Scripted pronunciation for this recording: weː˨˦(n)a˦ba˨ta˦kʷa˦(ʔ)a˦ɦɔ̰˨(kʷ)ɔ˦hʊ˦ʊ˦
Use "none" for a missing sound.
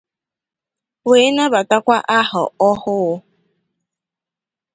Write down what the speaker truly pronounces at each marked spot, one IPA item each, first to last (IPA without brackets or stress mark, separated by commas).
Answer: n, ʔ, none